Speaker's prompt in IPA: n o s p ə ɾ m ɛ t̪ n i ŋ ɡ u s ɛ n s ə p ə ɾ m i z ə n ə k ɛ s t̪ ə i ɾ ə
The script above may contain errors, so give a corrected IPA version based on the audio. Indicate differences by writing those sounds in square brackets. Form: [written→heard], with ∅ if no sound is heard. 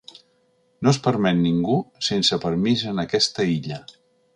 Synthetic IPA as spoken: n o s p ə ɾ m ɛ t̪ n i ŋ ɡ u s [ɛ→e] n s ə p ə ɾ m i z ə n ə k ɛ s t̪ ə i [ɾ→ʎ] ə